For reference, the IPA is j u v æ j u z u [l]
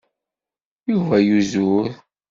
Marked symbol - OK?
no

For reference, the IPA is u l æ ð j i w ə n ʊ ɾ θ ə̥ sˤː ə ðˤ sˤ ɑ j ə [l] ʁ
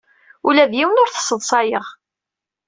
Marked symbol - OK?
no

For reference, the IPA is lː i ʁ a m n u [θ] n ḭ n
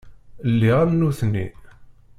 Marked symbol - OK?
yes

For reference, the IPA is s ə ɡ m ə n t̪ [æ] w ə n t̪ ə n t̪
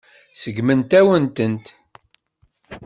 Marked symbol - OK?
yes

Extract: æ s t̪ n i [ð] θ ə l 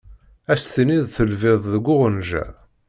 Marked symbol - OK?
yes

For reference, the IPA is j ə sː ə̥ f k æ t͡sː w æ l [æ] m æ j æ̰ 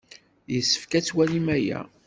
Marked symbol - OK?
no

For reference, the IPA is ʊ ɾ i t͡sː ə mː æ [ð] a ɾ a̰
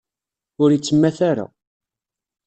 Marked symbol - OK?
no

